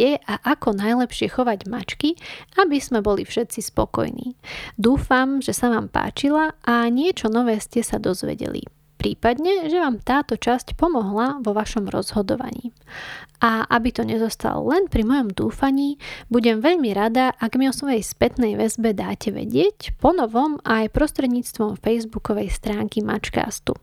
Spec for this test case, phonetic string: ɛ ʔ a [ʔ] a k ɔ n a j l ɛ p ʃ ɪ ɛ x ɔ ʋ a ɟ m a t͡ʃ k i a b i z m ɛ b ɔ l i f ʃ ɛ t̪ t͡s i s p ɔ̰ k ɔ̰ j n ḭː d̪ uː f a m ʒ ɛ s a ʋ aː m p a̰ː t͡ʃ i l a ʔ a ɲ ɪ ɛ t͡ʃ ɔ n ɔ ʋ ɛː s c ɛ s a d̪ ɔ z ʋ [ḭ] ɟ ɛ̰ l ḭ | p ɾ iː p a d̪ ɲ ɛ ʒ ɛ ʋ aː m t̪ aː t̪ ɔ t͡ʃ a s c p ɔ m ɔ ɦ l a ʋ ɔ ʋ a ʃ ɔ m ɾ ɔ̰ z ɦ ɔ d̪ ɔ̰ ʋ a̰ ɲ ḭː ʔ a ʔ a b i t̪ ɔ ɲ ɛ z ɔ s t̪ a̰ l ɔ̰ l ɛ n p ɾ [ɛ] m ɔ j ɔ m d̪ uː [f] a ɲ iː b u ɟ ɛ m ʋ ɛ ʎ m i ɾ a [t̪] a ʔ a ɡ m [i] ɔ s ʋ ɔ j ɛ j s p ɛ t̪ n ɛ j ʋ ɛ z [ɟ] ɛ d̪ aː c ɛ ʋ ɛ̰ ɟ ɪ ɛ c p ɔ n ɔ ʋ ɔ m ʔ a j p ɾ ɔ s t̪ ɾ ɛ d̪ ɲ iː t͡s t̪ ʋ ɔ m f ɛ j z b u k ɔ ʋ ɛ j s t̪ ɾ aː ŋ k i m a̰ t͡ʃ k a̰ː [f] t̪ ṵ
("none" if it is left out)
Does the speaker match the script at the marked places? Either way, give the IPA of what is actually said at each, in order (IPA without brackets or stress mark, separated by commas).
ʔ, ɛ̰, i, f, d̪, i, b, s